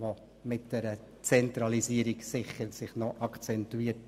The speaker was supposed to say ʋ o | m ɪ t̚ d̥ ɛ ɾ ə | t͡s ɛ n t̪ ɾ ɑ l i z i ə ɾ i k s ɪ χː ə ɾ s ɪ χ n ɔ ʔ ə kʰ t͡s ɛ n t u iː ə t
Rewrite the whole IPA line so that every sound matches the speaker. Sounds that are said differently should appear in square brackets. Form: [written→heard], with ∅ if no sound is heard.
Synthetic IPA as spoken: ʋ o | m ɪ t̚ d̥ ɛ ɾ ə | t͡s ɛ n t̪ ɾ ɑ l i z i ə ɾ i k s ɪ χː ə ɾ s ɪ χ n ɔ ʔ [ə→ɑ] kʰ t͡s ɛ n t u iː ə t